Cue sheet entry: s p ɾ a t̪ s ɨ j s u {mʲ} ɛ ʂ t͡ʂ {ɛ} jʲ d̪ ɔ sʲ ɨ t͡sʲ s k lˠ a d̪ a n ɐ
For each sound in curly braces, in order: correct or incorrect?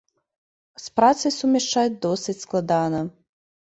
correct, incorrect

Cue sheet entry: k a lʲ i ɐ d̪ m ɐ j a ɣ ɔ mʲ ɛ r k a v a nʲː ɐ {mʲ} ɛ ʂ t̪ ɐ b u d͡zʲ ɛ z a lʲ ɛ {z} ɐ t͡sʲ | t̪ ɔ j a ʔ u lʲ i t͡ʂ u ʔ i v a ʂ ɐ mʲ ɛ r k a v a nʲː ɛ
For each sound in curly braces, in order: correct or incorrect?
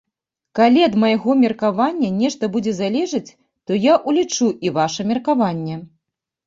incorrect, incorrect

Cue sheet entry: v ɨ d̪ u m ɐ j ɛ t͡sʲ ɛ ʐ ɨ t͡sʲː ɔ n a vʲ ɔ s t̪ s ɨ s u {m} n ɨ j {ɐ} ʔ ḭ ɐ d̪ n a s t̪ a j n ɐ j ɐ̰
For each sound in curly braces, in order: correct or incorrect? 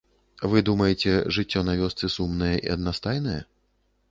correct, correct

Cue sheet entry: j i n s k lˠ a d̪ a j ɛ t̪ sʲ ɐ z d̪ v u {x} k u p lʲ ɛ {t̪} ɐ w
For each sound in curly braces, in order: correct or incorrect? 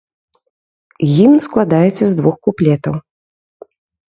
correct, correct

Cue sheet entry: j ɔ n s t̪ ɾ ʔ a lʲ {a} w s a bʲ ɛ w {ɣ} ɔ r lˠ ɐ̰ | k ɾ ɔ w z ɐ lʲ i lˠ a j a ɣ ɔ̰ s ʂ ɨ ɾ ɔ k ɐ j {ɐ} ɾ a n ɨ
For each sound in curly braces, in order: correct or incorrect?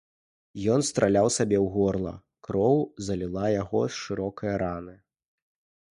correct, correct, correct

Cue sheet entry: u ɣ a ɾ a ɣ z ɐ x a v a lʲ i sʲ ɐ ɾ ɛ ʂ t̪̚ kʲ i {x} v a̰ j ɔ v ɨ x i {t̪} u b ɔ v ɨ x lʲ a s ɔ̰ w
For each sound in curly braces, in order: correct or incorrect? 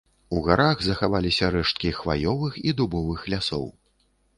correct, incorrect

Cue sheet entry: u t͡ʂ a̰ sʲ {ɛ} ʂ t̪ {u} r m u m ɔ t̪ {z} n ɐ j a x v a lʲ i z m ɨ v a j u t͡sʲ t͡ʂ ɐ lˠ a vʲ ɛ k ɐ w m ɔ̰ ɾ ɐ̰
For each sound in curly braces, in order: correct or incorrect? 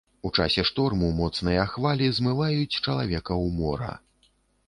correct, incorrect, incorrect

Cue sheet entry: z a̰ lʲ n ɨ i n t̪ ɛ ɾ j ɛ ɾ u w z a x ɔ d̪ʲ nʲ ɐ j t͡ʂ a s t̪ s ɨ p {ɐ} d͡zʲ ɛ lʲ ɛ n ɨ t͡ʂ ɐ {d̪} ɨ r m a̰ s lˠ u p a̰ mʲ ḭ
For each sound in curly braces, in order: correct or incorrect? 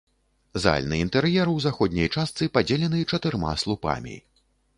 incorrect, incorrect

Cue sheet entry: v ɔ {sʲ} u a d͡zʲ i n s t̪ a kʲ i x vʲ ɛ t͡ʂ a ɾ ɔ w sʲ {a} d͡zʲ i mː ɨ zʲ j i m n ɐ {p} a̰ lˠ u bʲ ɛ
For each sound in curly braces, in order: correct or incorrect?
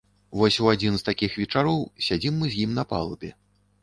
correct, correct, correct

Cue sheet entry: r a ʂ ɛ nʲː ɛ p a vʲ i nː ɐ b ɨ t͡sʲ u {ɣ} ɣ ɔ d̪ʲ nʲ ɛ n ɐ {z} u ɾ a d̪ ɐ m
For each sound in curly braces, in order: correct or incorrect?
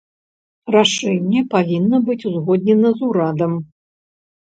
incorrect, correct

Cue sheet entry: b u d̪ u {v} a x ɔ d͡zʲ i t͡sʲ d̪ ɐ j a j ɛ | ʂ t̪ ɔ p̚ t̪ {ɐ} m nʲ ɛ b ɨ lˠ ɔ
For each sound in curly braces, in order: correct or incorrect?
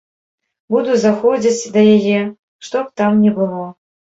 incorrect, incorrect

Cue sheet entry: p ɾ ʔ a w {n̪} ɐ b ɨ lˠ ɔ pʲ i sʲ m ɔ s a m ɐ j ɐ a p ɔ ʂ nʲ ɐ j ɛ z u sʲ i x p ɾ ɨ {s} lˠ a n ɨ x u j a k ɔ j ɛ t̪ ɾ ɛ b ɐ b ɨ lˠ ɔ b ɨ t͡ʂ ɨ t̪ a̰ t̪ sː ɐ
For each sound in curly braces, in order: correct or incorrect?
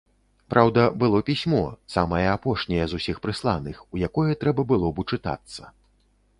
incorrect, correct

